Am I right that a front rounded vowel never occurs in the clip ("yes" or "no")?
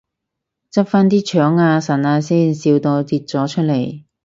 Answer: no